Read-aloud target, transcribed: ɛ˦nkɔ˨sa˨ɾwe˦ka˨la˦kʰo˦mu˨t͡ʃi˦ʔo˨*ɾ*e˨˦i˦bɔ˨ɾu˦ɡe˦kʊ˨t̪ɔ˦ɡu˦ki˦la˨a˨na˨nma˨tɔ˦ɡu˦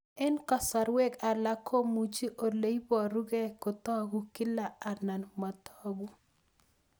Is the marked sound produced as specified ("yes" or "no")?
no